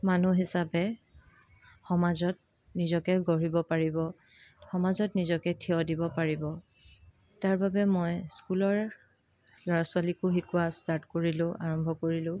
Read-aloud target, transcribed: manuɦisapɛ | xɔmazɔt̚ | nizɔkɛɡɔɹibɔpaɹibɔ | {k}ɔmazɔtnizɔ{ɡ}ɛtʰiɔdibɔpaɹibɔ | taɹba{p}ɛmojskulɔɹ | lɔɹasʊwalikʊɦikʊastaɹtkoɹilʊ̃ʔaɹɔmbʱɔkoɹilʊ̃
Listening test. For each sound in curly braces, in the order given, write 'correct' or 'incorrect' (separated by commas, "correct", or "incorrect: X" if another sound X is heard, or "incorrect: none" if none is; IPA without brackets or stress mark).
incorrect: x, incorrect: k, incorrect: b